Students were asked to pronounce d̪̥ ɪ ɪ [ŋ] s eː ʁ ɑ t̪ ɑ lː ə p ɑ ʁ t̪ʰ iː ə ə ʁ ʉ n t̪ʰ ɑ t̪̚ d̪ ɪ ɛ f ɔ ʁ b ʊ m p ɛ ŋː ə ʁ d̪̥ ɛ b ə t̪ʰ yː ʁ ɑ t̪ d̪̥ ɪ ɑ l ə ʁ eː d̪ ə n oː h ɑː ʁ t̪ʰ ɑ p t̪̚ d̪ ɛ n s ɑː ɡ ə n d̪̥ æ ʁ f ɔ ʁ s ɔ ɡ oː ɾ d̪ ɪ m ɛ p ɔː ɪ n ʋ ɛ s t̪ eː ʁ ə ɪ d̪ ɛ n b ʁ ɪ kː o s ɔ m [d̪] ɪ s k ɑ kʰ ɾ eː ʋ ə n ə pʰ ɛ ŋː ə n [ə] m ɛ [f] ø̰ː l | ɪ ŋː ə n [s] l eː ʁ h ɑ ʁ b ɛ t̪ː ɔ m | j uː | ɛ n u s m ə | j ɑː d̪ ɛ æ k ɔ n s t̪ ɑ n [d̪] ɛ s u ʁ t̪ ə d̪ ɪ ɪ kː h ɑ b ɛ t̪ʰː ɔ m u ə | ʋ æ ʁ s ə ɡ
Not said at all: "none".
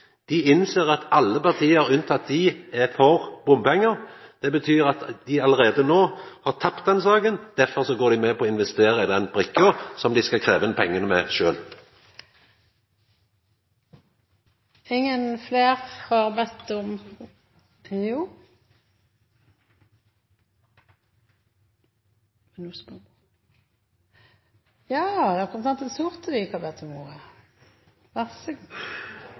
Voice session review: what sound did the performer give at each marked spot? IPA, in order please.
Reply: n, d̪, ə, ʃ, f, t̪

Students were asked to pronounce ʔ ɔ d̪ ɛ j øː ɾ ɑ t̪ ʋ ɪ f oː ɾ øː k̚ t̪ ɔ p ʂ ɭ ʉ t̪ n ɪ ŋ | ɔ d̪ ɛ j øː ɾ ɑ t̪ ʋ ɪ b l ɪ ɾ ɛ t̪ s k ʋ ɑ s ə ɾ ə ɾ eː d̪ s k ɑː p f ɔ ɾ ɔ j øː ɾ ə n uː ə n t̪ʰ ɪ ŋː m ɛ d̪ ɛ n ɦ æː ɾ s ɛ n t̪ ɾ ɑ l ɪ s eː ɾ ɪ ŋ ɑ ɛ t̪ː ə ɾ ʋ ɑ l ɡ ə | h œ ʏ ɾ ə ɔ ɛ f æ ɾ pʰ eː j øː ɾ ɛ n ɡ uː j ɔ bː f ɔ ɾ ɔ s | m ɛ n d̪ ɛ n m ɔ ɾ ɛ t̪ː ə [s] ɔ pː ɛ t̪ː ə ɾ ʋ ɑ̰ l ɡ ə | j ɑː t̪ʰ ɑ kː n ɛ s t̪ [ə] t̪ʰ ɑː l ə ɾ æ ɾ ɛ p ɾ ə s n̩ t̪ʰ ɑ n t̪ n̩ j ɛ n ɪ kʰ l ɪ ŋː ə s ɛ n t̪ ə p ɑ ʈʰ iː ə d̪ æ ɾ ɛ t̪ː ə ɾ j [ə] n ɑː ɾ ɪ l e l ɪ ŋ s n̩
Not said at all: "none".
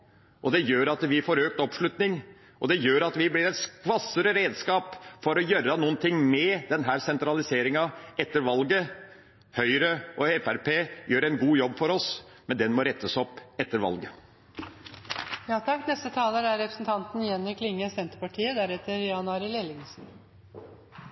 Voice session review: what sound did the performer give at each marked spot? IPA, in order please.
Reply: s, ə, ɑ

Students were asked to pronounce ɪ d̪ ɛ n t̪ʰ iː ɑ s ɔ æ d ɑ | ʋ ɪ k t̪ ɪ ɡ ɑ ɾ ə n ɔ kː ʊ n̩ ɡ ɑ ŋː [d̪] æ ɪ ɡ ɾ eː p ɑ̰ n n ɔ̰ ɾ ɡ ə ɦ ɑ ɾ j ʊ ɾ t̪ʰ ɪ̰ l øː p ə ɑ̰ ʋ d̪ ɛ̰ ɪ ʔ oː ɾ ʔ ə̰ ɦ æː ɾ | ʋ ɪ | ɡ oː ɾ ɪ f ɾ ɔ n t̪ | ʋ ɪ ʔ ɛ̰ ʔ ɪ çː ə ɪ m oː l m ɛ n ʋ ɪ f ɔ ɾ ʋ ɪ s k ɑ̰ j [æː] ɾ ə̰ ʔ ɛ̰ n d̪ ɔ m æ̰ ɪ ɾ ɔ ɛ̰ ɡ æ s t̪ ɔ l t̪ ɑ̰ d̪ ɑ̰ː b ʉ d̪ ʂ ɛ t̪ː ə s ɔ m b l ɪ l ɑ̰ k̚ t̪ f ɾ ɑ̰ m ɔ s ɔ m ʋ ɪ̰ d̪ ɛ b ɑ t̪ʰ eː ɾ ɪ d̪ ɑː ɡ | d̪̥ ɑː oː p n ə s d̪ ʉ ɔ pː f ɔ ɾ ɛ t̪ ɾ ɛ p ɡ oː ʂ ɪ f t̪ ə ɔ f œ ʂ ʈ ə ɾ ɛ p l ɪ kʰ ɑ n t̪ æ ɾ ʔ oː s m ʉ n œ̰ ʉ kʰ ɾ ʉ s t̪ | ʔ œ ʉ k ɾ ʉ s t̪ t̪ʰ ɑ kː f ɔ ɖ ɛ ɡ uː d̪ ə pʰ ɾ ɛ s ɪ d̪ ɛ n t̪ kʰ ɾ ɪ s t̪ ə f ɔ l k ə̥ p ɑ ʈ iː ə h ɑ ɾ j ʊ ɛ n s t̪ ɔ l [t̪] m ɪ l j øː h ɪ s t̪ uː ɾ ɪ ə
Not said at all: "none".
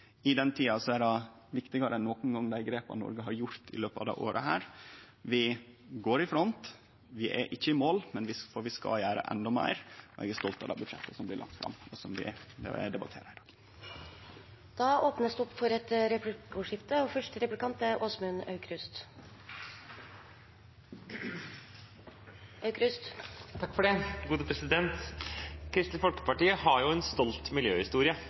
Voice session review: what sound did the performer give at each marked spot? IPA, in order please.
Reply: d̪, æː, t̪

